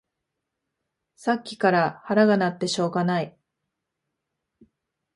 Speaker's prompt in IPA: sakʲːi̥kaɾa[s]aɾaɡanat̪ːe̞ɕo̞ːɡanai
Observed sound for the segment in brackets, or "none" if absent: h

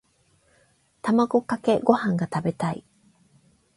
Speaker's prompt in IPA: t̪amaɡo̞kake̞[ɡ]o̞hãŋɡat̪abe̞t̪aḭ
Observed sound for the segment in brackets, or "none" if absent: ɡ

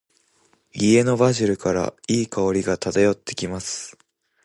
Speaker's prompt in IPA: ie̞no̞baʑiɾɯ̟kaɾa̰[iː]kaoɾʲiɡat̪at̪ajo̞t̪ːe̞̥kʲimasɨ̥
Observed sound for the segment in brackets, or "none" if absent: iː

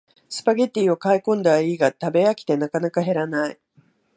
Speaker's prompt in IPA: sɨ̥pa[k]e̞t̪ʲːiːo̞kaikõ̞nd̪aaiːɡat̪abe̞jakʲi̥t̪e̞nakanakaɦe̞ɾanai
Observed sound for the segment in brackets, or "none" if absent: ɡ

